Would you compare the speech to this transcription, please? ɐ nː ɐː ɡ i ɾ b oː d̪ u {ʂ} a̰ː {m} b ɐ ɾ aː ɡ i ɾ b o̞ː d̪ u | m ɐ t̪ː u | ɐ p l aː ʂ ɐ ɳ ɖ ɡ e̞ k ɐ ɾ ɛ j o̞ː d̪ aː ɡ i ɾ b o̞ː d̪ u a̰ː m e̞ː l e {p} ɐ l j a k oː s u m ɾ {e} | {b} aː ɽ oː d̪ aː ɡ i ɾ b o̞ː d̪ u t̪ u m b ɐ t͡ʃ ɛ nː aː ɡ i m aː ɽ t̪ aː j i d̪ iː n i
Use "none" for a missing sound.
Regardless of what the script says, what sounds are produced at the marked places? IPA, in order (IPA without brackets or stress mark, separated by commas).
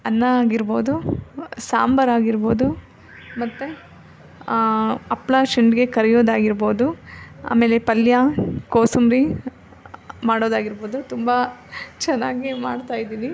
s, m, p, i, m